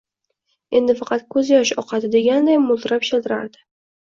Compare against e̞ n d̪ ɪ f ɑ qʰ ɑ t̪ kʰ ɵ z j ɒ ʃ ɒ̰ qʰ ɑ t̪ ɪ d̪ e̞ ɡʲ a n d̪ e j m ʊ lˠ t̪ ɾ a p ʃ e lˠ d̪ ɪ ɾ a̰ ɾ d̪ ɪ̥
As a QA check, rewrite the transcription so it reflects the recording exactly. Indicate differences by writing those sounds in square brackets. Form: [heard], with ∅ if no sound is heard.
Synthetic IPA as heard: e̞ n d̪ ɪ f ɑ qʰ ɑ t̪ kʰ ɵ z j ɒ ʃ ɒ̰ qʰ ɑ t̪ ɪ d̪ e̞ ɡʲ a n d̪ [a] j m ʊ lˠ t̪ ɾ a p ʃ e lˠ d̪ ɪ ɾ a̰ ɾ d̪ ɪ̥